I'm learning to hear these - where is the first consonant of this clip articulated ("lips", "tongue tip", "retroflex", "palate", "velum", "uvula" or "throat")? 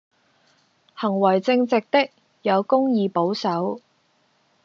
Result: throat